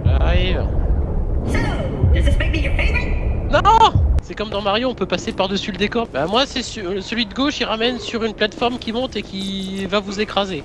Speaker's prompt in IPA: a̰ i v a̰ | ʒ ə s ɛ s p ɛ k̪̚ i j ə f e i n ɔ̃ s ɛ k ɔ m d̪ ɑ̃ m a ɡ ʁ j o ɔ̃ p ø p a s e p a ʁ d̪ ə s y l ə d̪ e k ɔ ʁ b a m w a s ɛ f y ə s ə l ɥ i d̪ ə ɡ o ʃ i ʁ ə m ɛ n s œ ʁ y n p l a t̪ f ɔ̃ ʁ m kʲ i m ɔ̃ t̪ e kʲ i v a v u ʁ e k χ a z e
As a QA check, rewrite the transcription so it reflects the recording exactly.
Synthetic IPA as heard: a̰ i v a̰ | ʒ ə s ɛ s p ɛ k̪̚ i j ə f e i n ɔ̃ s ɛ k ɔ m d̪ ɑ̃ m a ʁ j o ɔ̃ p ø p a s e p a ʁ d̪ ə s y l ə d̪ e k ɔ ʁ b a m w a s ɛ s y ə s ə l ɥ i d̪ ə ɡ o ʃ i ʁ a m ɛ n s y ʁ y n p l a t̪ f ɔ ʁ m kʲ i m ɔ̃ t̪ e kʲ i v a v u z e k χ a z e